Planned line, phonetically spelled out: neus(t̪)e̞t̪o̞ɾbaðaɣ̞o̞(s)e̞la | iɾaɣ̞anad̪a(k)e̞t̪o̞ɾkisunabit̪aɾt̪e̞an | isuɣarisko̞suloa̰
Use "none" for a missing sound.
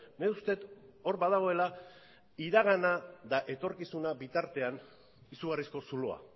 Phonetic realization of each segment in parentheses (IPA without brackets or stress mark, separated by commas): t̪, none, ʔ